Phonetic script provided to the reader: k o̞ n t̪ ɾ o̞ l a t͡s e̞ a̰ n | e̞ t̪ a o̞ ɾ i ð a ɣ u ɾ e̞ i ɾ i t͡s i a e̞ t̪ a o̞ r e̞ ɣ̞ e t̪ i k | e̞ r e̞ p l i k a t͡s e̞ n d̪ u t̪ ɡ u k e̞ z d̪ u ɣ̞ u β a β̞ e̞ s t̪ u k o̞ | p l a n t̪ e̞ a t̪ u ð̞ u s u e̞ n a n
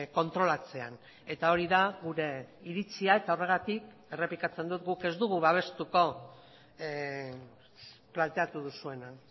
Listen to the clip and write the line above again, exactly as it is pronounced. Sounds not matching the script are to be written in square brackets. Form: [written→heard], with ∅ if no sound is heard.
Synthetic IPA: k o̞ n t̪ ɾ o̞ l a t͡s e̞ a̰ n | e̞ t̪ a o̞ ɾ i ð a ɣ u ɾ e̞ i ɾ i t͡s i a e̞ t̪ a o̞ r e̞ ɣ̞ [e→a] t̪ i k | e̞ r e̞ p l i k a t͡s e̞ n d̪ u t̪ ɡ u k e̞ z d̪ u ɣ̞ u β a β̞ e̞ s t̪ u k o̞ | p l a n t̪ e̞ a t̪ u ð̞ u s u e̞ n a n